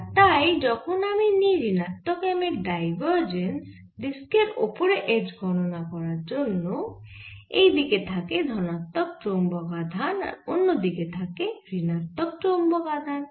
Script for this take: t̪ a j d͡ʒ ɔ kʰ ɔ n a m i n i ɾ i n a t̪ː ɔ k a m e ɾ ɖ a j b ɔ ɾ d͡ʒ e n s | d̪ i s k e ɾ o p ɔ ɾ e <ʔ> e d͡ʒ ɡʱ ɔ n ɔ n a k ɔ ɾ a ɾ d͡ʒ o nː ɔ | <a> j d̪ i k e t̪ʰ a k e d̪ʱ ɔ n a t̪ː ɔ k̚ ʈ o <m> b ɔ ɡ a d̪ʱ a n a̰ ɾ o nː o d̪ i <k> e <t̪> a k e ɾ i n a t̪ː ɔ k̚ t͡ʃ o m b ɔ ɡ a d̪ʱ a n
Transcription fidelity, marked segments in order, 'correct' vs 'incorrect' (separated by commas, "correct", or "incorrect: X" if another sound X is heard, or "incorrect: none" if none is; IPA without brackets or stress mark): correct, incorrect: e, correct, correct, incorrect: t̪ʰ